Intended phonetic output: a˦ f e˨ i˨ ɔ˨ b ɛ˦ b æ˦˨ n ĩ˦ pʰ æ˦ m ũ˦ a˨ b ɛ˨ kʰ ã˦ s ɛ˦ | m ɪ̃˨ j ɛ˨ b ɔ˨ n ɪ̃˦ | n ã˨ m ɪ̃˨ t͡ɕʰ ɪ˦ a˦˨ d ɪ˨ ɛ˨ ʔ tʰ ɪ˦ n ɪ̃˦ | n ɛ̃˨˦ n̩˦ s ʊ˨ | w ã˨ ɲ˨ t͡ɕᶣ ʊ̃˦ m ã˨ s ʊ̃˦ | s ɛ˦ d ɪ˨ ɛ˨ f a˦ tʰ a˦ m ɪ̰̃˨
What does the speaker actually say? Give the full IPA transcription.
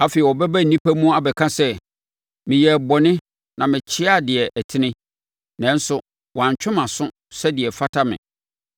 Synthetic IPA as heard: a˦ f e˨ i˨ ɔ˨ b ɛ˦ b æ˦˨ n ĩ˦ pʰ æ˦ m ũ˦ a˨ b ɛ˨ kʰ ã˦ s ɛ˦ | m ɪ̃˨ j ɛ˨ b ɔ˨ n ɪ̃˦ | n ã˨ m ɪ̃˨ t͡ɕʰ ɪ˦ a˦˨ d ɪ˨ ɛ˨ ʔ tʰ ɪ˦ n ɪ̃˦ | n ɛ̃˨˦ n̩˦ s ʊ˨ | w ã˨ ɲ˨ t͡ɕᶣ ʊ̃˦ m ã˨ s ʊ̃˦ | s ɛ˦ d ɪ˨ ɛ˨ f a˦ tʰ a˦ m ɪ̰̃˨